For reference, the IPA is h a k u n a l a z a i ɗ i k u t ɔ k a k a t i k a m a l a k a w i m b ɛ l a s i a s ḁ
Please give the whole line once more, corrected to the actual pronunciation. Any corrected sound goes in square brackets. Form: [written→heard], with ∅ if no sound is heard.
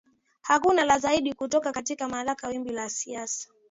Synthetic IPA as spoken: h a k u n a l a z a i ɗ i k u t ɔ k a k a t i k a m a l a k a w i m b [ɛ→i] l a s i a s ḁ